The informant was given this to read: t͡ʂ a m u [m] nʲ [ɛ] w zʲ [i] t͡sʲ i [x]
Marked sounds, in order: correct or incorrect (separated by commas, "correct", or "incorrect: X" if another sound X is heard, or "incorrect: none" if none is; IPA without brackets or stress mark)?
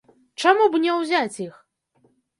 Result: incorrect: b, correct, incorrect: a, correct